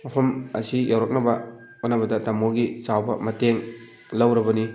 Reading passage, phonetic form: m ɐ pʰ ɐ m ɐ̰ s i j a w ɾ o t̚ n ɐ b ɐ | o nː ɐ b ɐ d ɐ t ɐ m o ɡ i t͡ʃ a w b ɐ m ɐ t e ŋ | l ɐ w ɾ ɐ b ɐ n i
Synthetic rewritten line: m ɐ pʰ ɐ m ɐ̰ s i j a w ɾ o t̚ n ɐ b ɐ | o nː ɐ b ɐ d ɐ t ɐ m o ɡ i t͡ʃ a w b ɐ m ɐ t e ŋ | l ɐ w ɾ ɐ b ɐ n i